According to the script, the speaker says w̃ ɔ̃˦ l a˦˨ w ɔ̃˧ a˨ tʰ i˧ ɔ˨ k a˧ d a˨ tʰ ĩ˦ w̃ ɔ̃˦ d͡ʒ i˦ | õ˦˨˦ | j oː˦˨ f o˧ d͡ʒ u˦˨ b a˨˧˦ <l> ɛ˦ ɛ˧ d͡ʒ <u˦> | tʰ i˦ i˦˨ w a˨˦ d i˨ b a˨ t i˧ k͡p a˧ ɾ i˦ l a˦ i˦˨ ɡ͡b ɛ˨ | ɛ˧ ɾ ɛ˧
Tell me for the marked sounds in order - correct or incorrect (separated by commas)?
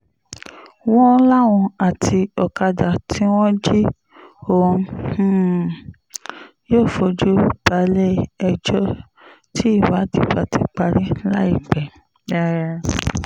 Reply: correct, incorrect